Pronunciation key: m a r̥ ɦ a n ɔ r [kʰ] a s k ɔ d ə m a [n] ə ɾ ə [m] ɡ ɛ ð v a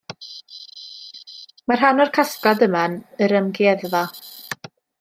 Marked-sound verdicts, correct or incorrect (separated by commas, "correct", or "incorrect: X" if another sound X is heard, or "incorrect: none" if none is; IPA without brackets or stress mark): correct, correct, correct